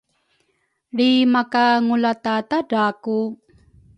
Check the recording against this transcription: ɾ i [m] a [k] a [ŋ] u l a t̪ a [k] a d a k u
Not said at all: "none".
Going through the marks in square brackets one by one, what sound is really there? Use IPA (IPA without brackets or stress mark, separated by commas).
m, k, ŋ, t